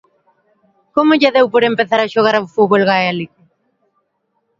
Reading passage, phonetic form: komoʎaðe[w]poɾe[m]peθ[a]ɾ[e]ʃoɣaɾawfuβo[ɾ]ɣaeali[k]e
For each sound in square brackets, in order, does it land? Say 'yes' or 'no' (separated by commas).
yes, yes, yes, no, no, yes